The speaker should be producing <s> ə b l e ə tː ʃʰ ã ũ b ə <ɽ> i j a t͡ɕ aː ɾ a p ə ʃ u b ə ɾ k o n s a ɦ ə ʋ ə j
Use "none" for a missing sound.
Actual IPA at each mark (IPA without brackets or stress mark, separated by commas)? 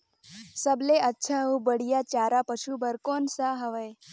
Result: s, ɽ